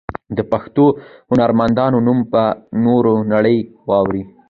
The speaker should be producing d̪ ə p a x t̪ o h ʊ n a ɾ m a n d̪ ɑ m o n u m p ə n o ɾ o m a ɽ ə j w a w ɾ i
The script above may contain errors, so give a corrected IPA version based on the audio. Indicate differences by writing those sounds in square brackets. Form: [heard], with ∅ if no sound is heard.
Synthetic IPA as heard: d̪ ə p a x t̪ o h ʊ n a ɾ m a n d̪ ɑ [n] o n u m p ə n o ɾ o [n] a ɽ ə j w [ɑ] w ɾ i